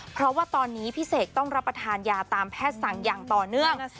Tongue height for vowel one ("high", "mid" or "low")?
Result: mid